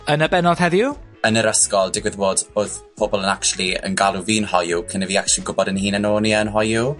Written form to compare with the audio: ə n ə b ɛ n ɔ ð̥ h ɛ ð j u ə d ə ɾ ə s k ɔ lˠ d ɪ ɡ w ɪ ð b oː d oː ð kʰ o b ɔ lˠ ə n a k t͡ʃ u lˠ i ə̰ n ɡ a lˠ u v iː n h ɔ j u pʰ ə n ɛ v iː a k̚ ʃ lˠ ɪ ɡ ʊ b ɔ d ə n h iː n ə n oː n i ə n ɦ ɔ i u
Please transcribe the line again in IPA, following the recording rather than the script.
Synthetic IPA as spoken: ə n ə b ɛ n ɔ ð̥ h ɛ ð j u ə n ə ɾ ə s k ɔ lˠ d ɪ ɡ w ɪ ð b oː d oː ð pʰ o b ɔ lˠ ə n a k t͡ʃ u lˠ i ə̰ n ɡ a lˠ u v iː n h ɔ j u kʰ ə n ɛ v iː a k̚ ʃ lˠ i ɡ ʊ b ɔ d ə n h iː n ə n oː n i ə n ɦ ɔ j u